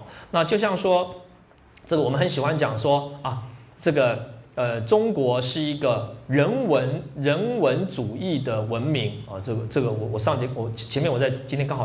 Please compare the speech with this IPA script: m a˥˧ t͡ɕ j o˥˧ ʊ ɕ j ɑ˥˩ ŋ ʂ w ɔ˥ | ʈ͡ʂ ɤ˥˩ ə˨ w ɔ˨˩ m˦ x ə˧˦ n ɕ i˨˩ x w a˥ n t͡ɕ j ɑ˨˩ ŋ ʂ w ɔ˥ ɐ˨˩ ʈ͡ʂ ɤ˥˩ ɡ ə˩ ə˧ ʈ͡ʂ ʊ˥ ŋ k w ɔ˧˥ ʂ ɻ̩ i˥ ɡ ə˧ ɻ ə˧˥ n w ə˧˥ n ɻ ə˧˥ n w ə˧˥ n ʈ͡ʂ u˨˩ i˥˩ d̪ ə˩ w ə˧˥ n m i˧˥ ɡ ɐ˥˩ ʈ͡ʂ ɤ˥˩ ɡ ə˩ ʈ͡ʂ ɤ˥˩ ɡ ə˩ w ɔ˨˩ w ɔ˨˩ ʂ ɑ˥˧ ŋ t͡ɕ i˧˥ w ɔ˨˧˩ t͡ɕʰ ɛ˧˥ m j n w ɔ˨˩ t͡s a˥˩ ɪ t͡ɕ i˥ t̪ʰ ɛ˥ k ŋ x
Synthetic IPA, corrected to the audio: n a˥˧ t͡ɕ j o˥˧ ʊ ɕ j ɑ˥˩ ŋ ʂ w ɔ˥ | ʈ͡ʂ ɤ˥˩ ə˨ w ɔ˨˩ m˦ x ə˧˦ n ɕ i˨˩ x w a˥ n t͡ɕ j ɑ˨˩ ŋ ʂ w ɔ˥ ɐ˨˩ ʈ͡ʂ ɤ˥˩ ɡ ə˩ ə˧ ʈ͡ʂ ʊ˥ ŋ k w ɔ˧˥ ʂ ɻ̩ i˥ ɡ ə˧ ɻ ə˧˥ n w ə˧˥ n ɻ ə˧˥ n w ə˧˥ n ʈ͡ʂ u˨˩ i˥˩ d̪ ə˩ w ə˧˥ n m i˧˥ ŋ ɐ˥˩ ʈ͡ʂ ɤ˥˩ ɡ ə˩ ʈ͡ʂ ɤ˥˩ ɡ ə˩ w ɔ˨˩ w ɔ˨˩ ʂ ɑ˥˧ ŋ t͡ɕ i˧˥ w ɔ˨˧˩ t͡ɕʰ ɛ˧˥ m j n w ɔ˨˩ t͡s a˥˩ ɪ t͡ɕ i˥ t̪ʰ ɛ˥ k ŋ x